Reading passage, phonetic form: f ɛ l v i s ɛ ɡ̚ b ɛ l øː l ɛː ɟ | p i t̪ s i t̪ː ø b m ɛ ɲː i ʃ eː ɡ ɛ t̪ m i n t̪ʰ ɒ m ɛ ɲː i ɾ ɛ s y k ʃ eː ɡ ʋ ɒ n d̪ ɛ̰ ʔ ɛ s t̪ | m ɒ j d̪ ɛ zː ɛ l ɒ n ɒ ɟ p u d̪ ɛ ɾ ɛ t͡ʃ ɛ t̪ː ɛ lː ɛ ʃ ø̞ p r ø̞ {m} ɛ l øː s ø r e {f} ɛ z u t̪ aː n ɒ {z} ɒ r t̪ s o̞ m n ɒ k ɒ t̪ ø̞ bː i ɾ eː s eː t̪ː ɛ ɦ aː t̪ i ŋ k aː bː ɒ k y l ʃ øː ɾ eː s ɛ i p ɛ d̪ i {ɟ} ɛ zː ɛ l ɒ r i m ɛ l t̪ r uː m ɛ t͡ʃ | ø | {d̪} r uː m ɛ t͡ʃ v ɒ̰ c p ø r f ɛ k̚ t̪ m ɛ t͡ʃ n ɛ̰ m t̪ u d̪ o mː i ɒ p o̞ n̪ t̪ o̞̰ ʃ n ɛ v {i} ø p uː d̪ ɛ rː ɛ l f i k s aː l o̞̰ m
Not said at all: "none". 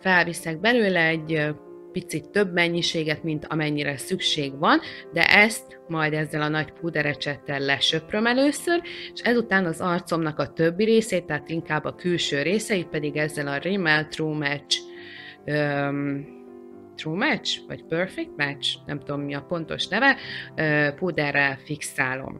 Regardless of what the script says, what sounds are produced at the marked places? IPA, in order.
m, ʃ, z, ɡ, t̪, ɛ

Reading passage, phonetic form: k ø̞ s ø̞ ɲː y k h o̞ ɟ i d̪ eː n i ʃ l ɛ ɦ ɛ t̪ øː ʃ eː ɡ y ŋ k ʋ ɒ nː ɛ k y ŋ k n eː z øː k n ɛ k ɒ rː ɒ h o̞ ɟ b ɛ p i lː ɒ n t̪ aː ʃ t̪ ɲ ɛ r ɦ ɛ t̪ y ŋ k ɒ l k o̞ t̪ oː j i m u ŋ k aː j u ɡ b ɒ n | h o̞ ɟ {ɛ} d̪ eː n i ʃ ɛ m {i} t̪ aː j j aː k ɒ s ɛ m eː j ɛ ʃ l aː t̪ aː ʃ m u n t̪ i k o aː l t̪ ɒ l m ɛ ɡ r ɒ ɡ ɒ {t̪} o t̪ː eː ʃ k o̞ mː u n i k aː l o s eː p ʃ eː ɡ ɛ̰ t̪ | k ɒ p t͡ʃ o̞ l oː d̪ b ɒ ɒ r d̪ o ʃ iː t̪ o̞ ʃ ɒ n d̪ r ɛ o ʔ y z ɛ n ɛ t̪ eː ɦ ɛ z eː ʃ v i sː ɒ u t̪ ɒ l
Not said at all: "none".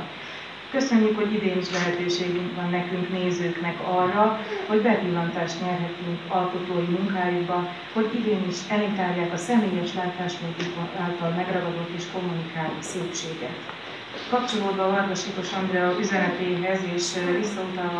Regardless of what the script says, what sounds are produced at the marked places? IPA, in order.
i, i, d̪

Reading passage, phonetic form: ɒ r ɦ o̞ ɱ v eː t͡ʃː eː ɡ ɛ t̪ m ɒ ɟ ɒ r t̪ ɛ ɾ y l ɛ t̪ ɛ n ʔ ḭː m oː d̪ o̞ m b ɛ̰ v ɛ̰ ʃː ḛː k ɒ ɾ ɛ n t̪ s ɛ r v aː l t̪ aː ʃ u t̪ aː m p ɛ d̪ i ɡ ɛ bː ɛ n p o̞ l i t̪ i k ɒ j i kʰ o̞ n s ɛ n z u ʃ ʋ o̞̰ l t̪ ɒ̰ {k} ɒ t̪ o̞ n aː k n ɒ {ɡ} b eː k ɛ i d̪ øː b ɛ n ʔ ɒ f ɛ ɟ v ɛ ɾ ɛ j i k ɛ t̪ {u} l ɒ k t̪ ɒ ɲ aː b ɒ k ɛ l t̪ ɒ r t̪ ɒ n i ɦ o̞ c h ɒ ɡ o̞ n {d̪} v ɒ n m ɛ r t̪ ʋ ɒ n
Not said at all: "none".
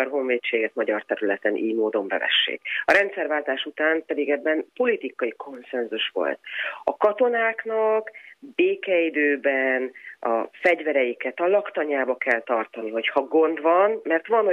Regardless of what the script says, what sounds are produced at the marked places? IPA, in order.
k, k, ɒ, d̪

